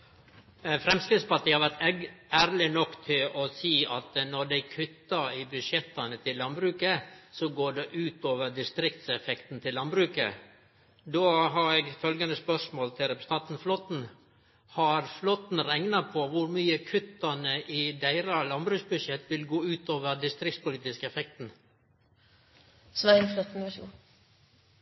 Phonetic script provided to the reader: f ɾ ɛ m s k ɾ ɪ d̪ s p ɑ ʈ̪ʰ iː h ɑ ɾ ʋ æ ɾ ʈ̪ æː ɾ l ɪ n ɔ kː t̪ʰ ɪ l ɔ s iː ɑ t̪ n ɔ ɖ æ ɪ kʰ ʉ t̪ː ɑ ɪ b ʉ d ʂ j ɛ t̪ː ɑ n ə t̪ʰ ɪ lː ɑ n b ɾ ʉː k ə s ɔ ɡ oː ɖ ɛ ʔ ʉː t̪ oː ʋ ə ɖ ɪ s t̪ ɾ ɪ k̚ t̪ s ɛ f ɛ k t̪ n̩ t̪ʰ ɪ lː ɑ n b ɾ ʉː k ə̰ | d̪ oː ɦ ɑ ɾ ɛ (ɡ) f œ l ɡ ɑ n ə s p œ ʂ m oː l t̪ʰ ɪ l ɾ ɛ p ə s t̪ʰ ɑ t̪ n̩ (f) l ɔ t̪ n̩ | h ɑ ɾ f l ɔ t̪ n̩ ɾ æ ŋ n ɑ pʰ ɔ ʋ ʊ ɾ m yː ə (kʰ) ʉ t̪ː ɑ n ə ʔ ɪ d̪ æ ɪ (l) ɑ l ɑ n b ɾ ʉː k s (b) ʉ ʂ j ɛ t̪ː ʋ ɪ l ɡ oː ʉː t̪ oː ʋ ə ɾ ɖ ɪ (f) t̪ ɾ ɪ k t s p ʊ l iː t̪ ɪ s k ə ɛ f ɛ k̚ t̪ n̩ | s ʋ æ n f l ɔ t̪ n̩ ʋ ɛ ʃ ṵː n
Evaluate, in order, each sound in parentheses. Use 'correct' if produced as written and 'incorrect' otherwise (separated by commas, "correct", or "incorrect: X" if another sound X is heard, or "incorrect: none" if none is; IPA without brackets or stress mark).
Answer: correct, correct, correct, incorrect: ɾ, correct, incorrect: s